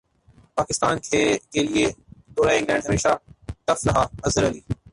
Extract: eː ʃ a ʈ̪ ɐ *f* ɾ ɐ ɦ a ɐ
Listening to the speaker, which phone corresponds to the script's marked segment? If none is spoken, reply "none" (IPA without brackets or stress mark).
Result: f